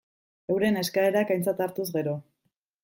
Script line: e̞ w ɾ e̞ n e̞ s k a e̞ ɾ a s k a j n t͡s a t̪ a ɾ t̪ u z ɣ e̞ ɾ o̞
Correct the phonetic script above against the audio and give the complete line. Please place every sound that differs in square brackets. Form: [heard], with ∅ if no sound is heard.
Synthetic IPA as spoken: e̞ w ɾ e̞ n e̞ s k a e̞ ɾ a [∅] k a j n t͡s a t̪ a ɾ t̪ u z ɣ e̞ ɾ o̞

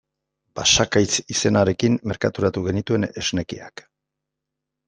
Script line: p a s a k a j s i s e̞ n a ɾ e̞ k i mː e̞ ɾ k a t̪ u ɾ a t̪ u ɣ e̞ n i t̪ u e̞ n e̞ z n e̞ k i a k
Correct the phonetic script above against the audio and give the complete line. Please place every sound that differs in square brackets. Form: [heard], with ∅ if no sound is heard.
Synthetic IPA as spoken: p a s a k a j [t͡s] i s e̞ n a ɾ e̞ k i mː e̞ ɾ k a t̪ u ɾ a t̪ u ɣ e̞ n i t̪ u e̞ n e̞ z n e̞ k i a k

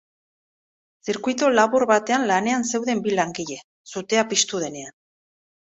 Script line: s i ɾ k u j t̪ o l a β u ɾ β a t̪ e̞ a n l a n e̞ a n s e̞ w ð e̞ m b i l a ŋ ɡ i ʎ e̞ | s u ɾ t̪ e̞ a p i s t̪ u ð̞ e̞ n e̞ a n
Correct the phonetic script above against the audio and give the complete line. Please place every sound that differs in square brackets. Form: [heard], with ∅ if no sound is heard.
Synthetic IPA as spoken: s i ɾ k u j t̪ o l a β u ɾ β a t̪ e̞ a n l a n e̞ a n s e̞ w ð e̞ m b i l a ŋ ɡ i ʎ e̞ | s u [∅] t̪ e̞ a p i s t̪ u ð̞ e̞ n e̞ a n

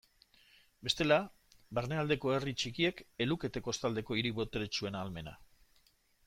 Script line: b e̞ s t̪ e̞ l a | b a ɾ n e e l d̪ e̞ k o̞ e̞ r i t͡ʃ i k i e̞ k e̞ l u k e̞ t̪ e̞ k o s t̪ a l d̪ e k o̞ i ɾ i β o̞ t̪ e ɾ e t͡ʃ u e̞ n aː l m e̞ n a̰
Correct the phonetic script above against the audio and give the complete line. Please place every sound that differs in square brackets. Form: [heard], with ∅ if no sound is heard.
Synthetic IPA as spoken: b e̞ s t̪ e̞ l a | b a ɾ n e [a] l d̪ e̞ k o̞ e̞ r i t͡ʃ i k i e̞ k e̞ l u k e̞ t̪ e̞ k o s t̪ a l d̪ e k o̞ i ɾ i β o̞ t̪ e ɾ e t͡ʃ u e̞ n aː l m e̞ n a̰

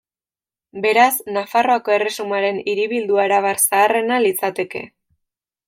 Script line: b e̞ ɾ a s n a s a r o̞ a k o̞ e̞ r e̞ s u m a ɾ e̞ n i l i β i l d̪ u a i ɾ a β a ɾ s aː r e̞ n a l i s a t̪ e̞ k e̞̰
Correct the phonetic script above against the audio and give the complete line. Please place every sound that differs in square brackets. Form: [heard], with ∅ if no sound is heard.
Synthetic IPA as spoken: b e̞ ɾ a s n a [f] a r o̞ a k o̞ e̞ r e̞ s u m a ɾ e̞ n i [ɾ] i β i l d̪ u a [e] ɾ a β a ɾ s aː r e̞ n a l i [t͡s] a t̪ e̞ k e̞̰

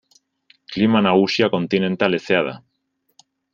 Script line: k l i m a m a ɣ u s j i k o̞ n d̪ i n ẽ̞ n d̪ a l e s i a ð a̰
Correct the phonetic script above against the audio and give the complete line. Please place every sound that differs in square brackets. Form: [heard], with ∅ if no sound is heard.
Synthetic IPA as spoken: k l i m a [n] a ɣ u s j [a] k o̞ n [t̪] i n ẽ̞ n [t̪] a l e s [e] a ð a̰

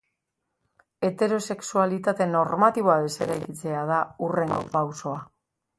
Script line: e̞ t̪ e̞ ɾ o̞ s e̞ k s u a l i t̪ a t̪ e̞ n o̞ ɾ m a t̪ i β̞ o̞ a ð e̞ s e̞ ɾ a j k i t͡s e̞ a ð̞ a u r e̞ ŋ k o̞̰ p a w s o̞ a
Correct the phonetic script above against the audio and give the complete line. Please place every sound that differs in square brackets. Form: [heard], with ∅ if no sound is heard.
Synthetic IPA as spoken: e̞ t̪ e̞ ɾ o̞ s e̞ k s u a l i t̪ a t̪ e̞ n o̞ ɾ m a t̪ i β̞ o̞ a ð e̞ s e̞ ɾ a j k i t͡s e̞ a ð̞ a u r e̞ ŋ [ɡ] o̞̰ p a w s o̞ a

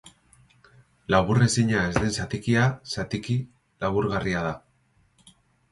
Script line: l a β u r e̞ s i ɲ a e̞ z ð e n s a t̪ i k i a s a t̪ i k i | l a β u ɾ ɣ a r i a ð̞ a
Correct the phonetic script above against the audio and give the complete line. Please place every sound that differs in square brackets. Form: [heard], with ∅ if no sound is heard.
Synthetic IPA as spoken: l a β u r e̞ s i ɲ a e̞ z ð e n s a t̪ i k i a s a t̪ i k i | l a β u ɾ ɣ a r i a ð̞ a

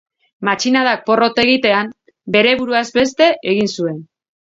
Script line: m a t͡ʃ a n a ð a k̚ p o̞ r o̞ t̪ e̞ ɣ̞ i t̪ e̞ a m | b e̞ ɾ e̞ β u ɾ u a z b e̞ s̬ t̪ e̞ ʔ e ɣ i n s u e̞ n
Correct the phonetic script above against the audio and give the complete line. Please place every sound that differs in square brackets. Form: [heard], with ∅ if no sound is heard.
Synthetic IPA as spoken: m a t͡ʃ [i] n a ð a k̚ p o̞ r o̞ t̪ e̞ ɣ̞ i t̪ e̞ a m | b e̞ ɾ e̞ β u ɾ u a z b e̞ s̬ t̪ e̞ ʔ e ɣ i n s u e̞ n

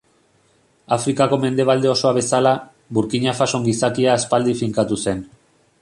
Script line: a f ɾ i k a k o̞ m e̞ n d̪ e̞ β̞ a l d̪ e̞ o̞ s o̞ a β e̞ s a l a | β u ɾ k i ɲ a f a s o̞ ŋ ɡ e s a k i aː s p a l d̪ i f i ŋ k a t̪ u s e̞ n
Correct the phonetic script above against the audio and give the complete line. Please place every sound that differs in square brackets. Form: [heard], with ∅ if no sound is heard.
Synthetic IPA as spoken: a f ɾ i k a k o̞ m e̞ n d̪ e̞ β̞ a l d̪ e̞ o̞ s o̞ a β e̞ s a l a | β u ɾ k i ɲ a f a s o̞ ŋ ɡ [i] s a k i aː s p a l d̪ i f i ŋ k a t̪ u s e̞ n

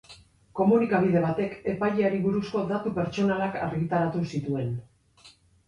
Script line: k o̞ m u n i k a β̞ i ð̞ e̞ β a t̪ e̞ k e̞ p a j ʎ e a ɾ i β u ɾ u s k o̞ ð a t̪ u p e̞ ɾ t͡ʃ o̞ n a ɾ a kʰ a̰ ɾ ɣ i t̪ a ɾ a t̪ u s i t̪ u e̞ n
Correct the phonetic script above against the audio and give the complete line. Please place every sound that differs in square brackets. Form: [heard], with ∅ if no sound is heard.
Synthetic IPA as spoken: k o̞ m u n i k a β̞ i ð̞ e̞ β a t̪ e̞ k e̞ p a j ʎ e a ɾ i β u ɾ u s k o̞ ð a t̪ u p e̞ ɾ t͡ʃ o̞ n a [l] a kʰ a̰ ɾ ɣ i t̪ a ɾ a t̪ u s i t̪ u e̞ n

